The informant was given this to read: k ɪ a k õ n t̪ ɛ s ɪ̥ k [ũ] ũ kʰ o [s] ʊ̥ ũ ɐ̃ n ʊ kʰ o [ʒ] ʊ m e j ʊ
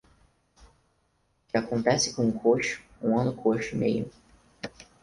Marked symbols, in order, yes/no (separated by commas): no, no, no